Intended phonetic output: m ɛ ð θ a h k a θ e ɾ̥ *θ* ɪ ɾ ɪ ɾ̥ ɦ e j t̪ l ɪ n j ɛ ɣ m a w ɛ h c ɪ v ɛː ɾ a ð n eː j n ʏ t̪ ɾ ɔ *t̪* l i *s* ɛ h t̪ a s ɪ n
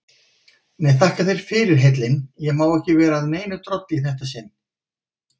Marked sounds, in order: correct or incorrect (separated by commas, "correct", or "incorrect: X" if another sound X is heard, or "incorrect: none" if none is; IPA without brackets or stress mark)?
incorrect: f, correct, incorrect: θ